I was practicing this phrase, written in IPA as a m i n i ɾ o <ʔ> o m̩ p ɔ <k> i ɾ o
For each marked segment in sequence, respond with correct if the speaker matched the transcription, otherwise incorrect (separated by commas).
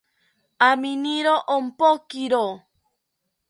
correct, correct